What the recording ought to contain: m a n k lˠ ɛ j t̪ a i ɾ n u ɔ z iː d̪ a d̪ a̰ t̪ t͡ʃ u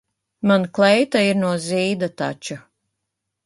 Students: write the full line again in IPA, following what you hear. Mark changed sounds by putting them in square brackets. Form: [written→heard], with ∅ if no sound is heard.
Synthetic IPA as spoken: m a n k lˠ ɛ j t̪ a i ɾ n u ɔ z iː d̪ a [d̪→t̪] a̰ [t̪→∅] t͡ʃ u